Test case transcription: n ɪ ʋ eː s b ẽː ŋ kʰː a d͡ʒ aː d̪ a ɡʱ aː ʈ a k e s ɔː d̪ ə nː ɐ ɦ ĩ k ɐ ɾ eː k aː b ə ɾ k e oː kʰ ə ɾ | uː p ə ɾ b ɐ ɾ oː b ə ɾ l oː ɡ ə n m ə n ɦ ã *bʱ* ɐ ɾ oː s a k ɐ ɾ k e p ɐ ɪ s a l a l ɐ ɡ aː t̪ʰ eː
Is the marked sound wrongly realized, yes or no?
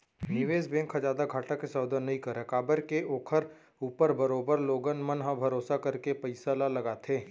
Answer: no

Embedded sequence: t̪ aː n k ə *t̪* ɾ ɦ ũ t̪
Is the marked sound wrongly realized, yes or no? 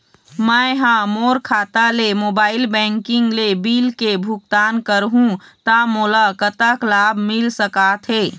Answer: yes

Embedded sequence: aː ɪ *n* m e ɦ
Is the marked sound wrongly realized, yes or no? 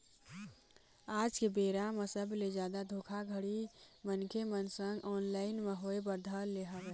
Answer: no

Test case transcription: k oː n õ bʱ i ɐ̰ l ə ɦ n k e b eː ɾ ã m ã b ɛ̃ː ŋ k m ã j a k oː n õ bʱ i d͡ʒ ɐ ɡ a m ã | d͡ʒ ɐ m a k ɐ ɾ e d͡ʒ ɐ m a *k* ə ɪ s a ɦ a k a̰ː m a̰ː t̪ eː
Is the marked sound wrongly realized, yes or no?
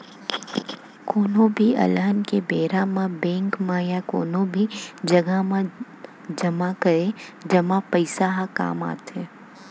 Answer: yes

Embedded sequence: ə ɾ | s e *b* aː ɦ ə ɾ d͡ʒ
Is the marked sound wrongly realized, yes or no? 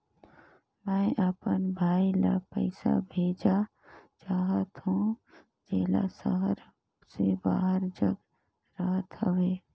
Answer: no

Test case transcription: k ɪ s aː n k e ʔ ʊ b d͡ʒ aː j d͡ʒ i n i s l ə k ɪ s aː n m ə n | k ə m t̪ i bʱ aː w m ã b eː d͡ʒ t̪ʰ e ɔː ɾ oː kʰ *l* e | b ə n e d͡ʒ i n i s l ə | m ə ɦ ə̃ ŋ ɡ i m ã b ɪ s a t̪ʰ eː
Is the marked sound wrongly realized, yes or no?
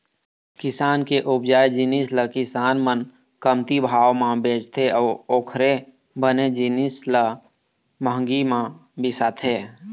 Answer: yes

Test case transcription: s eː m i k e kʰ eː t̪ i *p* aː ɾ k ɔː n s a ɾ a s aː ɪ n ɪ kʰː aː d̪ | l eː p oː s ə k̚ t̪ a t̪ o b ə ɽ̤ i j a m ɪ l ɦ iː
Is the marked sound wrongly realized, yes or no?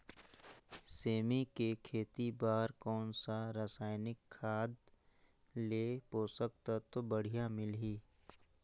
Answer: yes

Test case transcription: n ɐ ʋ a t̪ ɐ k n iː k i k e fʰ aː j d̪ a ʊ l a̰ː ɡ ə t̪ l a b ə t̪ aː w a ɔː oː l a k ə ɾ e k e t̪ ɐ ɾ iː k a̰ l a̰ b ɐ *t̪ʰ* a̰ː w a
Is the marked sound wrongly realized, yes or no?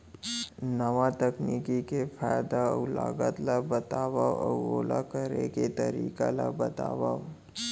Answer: yes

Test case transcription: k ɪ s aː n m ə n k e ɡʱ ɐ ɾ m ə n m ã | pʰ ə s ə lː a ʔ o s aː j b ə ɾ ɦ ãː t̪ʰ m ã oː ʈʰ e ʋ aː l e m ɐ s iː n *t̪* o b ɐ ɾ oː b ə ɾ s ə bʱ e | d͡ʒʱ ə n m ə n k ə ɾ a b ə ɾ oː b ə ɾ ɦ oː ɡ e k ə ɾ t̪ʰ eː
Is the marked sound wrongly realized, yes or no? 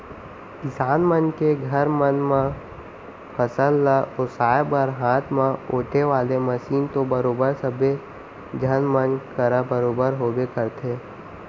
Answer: no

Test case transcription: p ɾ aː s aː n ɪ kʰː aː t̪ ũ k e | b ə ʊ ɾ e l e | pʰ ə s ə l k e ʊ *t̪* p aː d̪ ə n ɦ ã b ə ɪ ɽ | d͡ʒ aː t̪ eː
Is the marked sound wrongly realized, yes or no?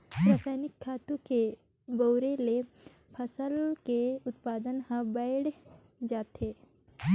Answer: no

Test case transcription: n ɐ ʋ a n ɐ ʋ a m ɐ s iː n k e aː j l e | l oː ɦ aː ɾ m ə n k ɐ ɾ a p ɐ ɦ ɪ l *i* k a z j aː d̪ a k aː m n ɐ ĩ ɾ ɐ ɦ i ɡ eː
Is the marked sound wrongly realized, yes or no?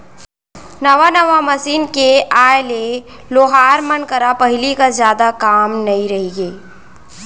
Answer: no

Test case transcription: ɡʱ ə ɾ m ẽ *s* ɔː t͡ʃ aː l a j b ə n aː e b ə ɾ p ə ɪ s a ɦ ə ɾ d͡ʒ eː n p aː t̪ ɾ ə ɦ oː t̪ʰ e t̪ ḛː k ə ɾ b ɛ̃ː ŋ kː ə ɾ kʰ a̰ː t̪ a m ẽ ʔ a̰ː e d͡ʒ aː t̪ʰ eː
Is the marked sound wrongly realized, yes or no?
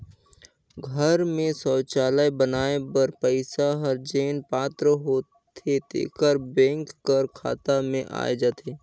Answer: no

